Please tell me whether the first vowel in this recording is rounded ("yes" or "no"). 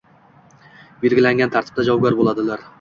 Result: no